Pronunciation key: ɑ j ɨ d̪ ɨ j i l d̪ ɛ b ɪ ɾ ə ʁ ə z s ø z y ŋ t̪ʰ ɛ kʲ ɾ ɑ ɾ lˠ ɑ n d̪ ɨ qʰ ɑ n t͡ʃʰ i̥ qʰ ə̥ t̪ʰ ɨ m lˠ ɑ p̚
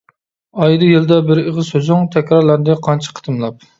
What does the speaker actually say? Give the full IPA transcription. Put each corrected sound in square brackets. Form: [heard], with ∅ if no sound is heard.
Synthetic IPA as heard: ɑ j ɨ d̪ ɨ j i l d̪ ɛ b ɪ ɾ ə ʁ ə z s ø z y ŋ t̪ʰ ɛ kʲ ɾ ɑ ɾ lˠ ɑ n d̪ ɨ qʰ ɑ n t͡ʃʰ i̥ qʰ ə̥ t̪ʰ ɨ m lˠ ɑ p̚